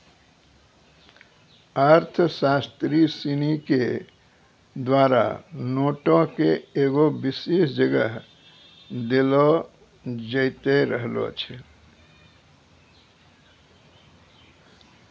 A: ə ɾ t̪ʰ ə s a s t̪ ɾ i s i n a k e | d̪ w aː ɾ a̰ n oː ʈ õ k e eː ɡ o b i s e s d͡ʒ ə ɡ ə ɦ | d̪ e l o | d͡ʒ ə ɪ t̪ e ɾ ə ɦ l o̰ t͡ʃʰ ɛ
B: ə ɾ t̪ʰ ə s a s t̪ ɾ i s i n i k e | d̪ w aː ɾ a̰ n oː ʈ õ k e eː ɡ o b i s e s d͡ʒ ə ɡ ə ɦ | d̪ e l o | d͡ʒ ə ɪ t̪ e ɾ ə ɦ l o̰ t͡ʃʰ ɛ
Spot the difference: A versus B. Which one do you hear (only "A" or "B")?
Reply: B